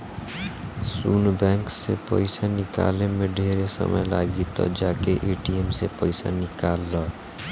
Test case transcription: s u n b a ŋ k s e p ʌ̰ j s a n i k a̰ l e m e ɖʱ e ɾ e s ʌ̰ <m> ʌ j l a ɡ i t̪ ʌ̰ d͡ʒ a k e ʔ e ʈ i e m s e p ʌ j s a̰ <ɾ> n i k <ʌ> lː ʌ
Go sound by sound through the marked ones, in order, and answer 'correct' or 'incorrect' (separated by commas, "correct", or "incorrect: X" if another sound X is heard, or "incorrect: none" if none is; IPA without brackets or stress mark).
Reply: correct, incorrect: none, incorrect: a